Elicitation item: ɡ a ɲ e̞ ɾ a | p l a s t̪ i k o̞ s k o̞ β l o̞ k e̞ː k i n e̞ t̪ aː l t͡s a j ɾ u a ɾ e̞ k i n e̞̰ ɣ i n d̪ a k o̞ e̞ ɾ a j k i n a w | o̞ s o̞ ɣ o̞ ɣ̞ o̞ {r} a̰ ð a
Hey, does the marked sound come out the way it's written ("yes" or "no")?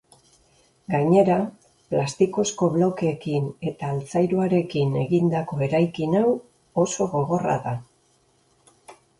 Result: yes